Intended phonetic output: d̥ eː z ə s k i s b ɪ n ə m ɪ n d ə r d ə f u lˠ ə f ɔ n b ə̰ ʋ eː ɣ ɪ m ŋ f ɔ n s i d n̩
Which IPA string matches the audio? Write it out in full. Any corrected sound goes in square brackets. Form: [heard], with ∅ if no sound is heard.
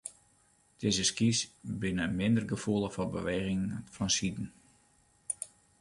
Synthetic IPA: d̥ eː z ə s k i s b ɪ n ə m ɪ n d ə r [ɡ] ə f u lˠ ə f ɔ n b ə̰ ʋ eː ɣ ɪ [∅] ŋ f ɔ n s i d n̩